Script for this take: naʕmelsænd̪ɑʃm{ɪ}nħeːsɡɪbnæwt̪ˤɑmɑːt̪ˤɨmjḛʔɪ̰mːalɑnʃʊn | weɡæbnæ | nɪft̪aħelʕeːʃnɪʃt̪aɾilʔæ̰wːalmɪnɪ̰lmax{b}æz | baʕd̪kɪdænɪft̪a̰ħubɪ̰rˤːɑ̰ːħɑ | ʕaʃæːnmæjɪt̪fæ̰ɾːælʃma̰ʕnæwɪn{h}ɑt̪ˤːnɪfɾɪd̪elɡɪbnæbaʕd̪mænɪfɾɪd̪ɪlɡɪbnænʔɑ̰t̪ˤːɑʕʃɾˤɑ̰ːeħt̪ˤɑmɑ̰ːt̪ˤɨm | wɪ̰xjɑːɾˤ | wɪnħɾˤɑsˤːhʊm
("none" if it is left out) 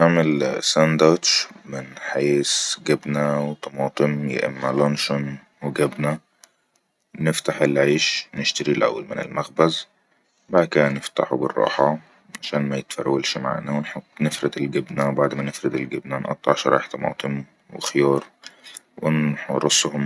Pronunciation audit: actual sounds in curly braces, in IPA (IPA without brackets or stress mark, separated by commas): ɪ, b, ħ